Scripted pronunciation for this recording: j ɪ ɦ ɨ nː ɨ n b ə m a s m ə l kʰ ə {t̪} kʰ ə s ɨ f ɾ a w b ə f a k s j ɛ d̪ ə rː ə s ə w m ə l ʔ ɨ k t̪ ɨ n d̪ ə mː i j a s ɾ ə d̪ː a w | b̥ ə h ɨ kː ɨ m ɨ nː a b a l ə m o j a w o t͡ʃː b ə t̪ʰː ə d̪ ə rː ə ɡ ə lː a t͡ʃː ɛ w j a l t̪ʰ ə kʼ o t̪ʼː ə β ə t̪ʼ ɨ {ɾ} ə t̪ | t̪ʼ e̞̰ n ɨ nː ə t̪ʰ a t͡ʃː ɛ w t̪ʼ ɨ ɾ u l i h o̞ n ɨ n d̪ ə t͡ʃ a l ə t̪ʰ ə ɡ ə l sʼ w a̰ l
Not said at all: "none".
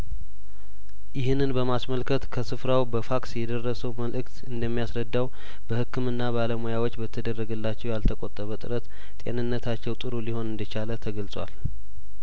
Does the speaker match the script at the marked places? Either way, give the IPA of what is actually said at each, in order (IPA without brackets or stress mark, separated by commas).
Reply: t̪, ɾ